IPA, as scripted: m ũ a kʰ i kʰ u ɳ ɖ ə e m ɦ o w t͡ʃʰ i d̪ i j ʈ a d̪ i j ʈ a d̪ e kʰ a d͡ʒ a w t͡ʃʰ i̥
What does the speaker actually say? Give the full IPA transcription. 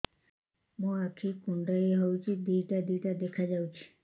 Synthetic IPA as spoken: m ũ a kʰ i k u ɳ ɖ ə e ɦ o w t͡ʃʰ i d̪ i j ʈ a d̪ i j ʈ a d̪ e kʰ a d͡ʒ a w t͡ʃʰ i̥